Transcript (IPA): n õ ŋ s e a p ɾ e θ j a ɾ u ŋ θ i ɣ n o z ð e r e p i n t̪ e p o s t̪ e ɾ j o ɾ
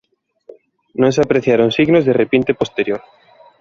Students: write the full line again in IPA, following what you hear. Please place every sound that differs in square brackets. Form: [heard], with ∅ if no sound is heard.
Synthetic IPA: n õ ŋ s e a p ɾ e θ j a ɾ [o] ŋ [s] i ɣ n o z ð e r e p i n t̪ e p o s t̪ e ɾ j o ɾ